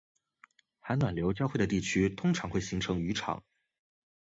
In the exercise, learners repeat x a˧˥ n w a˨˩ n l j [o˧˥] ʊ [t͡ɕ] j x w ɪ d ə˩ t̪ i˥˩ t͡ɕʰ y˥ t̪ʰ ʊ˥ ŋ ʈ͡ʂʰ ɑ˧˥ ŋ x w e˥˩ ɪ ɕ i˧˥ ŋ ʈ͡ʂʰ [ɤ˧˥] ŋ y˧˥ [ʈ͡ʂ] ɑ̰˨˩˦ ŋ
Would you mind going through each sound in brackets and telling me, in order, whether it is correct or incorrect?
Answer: correct, correct, correct, incorrect: ʈ͡ʂʰ

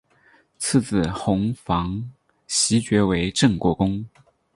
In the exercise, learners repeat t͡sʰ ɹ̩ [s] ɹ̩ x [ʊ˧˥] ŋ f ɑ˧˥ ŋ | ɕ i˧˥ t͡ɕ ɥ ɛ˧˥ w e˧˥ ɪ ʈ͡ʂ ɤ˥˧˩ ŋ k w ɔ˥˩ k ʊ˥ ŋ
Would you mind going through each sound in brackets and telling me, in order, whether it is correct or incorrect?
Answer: incorrect: t͡s, correct

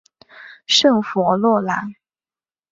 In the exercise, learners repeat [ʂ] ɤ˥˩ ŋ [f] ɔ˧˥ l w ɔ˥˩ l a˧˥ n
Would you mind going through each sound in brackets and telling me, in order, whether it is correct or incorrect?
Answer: correct, correct

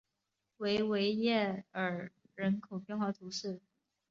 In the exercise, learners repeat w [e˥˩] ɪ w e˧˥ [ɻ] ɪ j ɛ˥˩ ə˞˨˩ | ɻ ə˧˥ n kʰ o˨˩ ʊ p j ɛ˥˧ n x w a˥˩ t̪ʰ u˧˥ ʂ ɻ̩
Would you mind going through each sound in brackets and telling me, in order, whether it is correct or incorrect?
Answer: incorrect: e˧˥, incorrect: none

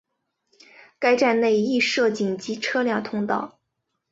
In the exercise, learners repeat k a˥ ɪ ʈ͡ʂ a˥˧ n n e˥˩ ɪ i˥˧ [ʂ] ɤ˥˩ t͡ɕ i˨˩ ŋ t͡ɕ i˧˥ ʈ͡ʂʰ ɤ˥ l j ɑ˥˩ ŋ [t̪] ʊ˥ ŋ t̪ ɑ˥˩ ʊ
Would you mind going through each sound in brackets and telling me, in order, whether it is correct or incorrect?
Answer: correct, incorrect: t̪ʰ

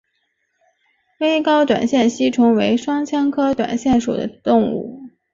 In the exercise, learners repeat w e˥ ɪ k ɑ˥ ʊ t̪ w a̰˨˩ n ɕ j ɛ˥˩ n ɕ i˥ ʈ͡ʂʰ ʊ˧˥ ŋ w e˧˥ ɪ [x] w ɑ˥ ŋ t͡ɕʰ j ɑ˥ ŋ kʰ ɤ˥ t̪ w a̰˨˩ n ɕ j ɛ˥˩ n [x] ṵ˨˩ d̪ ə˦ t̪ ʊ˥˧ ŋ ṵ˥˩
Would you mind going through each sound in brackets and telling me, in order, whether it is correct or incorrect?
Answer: incorrect: ʂ, incorrect: ʂ

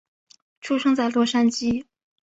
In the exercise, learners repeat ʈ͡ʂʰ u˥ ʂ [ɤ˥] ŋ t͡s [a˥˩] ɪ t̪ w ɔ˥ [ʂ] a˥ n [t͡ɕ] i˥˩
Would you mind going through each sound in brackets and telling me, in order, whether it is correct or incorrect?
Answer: correct, correct, correct, correct

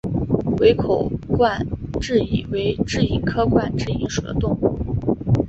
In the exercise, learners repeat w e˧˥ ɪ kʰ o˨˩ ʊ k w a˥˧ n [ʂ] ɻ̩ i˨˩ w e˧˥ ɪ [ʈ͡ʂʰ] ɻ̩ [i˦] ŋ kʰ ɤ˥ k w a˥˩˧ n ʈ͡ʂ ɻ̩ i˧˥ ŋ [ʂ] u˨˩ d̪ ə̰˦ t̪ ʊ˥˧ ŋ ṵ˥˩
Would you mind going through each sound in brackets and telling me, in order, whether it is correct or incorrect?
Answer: incorrect: ʈ͡ʂ, incorrect: ʈ͡ʂ, incorrect: i˧˩, correct

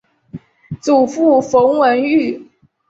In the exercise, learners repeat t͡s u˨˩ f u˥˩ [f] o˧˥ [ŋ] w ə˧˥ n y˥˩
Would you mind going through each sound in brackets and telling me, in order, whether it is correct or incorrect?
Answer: correct, correct

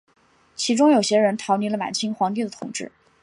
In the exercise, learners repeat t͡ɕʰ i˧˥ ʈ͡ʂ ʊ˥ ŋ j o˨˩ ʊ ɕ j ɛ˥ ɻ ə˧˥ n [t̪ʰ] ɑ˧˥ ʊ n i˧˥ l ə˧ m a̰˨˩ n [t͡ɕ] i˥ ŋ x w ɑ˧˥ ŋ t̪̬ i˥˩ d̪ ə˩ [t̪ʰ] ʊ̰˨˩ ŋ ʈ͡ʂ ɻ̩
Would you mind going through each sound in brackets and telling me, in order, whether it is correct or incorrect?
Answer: correct, incorrect: t͡ɕʰ, correct

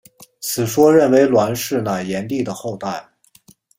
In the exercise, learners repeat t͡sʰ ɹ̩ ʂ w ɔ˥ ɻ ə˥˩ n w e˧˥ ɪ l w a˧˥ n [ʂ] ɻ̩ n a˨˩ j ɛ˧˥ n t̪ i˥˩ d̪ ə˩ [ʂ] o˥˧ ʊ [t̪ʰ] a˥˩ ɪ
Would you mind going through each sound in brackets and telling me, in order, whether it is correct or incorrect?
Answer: correct, incorrect: x, incorrect: t̪

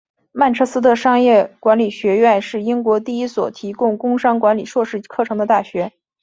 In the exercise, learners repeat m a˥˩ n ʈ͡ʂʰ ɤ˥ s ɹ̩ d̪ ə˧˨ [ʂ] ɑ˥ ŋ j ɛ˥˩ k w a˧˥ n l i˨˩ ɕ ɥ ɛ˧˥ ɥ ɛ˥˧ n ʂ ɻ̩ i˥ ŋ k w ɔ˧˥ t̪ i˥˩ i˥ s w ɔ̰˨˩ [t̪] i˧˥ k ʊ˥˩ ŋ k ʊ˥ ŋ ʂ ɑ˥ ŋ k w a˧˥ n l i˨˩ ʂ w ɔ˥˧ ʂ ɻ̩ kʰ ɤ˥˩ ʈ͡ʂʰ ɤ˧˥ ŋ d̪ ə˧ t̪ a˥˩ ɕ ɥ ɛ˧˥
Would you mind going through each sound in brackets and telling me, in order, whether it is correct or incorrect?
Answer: correct, incorrect: t̪ʰ

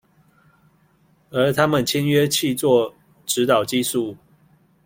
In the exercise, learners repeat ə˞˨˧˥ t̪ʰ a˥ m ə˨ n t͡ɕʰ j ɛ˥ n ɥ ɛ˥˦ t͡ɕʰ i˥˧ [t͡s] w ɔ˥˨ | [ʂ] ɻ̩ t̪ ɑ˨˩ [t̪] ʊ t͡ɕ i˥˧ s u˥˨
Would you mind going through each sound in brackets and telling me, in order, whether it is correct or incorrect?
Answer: correct, incorrect: ʈ͡ʂ, incorrect: none

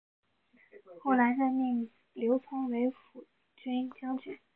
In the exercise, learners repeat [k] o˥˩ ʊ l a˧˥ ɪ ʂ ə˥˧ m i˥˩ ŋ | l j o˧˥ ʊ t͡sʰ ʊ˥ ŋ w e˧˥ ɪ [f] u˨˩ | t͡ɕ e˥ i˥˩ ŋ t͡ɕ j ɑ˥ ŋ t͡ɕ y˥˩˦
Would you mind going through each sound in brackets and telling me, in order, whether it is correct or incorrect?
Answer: incorrect: x, correct

